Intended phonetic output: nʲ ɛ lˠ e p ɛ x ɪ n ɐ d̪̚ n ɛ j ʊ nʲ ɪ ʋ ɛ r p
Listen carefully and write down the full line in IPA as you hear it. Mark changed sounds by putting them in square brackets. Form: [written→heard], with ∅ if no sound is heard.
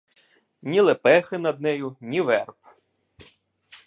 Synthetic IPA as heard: nʲ [ɛ→i] lˠ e p ɛ x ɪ n ɐ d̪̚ n ɛ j ʊ nʲ [ɪ→i] ʋ ɛ r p